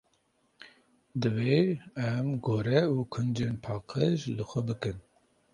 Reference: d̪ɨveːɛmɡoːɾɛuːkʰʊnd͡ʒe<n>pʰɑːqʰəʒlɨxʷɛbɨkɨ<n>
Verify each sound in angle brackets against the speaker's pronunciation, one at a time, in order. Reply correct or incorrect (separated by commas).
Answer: correct, correct